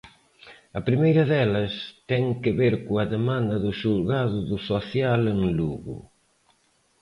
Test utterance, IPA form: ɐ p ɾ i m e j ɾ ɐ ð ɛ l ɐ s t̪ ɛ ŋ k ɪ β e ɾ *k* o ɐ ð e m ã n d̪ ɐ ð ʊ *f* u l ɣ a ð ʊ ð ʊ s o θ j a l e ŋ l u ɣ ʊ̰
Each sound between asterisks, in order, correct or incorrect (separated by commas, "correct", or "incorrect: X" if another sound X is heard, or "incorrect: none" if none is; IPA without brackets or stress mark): correct, incorrect: ʃ